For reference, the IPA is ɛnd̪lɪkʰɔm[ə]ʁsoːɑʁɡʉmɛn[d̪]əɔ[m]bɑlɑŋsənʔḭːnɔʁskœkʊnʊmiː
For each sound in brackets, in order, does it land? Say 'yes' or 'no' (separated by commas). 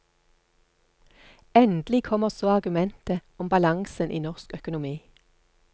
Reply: yes, no, yes